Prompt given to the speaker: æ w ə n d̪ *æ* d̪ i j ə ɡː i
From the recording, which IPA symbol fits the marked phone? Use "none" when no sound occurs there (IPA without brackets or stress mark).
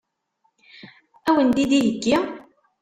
i